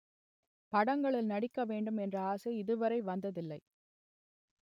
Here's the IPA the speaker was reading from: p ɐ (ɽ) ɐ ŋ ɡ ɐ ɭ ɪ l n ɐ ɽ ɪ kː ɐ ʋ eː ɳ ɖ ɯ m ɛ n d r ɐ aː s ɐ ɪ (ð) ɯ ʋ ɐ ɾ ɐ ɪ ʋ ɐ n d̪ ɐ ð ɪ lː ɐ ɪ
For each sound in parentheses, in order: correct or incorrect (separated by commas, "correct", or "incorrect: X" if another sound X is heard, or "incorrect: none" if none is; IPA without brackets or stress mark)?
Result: correct, correct